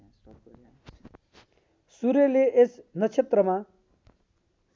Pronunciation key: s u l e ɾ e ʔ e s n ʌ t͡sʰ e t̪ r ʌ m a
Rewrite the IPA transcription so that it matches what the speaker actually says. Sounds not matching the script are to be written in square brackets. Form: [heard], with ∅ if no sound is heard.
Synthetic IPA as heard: s u [ɾ] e [l] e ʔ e s n ʌ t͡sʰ e t̪ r ʌ m a